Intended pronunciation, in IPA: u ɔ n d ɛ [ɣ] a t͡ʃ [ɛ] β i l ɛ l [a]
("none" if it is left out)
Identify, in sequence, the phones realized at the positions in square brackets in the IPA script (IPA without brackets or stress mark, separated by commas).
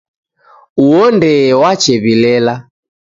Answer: w, ɛ, a